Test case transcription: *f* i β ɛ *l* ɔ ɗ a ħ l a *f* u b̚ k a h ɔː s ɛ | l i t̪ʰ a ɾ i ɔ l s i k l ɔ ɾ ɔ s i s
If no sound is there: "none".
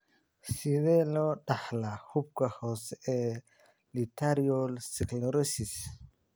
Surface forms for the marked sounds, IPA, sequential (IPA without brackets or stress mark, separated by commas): s, l, h